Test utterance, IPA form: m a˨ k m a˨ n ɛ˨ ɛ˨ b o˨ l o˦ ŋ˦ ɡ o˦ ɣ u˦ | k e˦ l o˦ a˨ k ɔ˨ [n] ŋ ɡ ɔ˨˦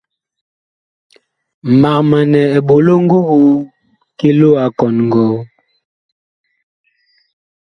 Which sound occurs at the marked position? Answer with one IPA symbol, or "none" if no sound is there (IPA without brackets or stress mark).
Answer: n